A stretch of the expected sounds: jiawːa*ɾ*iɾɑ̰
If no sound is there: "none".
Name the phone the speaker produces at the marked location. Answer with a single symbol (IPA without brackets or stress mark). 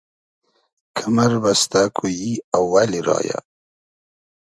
l